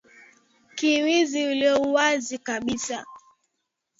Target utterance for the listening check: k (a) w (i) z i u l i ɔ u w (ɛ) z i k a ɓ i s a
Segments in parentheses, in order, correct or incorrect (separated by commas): incorrect, correct, incorrect